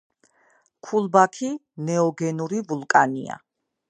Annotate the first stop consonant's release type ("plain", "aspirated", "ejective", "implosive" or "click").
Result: aspirated